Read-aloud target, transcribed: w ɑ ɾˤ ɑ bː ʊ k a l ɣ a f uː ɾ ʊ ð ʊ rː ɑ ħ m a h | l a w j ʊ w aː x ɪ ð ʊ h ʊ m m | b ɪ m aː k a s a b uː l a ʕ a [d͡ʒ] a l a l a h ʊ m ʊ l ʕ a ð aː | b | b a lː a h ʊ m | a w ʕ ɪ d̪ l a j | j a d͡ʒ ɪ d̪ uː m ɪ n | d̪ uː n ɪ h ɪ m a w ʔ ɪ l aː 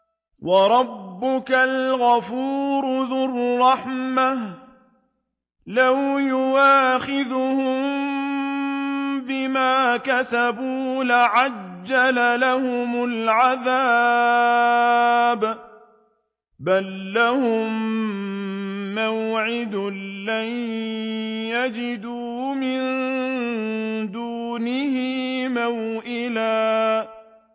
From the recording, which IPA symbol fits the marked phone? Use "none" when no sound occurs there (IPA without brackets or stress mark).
d͡ʒː